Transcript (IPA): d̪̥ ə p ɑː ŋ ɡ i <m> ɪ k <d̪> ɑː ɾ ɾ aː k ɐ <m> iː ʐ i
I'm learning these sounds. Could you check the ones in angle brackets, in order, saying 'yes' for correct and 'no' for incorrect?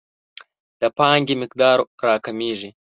yes, yes, yes

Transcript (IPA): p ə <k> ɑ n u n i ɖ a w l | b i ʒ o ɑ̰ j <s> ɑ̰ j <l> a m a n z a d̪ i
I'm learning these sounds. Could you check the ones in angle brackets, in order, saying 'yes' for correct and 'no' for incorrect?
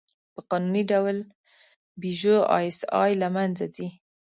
no, yes, yes

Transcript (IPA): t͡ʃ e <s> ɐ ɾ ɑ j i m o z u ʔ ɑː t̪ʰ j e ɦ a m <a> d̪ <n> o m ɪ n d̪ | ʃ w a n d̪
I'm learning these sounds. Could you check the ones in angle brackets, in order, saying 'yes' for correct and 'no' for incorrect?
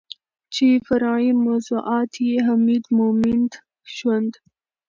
no, no, no

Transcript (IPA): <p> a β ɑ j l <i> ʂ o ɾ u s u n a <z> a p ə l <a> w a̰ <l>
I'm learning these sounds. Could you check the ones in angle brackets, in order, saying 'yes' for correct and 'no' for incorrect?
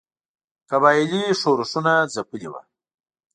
no, yes, yes, no, no

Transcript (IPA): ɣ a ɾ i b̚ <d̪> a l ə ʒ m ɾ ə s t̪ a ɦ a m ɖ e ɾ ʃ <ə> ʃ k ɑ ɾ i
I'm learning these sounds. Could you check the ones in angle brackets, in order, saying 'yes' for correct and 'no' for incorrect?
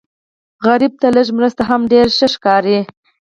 no, yes

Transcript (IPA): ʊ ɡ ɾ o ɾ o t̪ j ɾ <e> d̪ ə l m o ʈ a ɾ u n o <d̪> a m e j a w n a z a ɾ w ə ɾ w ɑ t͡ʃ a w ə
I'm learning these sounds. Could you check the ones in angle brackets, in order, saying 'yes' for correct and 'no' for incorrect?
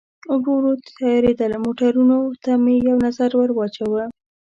yes, no

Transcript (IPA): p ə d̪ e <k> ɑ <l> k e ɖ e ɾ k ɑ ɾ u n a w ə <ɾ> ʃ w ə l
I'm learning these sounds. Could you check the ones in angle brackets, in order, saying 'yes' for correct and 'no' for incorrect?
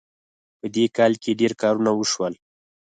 yes, yes, no

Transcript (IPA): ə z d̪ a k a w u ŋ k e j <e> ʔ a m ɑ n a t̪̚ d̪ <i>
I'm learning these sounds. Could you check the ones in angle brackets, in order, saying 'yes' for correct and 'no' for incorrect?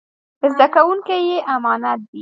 yes, yes

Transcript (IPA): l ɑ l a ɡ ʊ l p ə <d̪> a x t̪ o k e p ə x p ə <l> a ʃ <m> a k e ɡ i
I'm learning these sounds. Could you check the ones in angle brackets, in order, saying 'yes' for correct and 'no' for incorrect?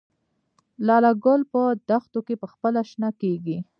yes, yes, no

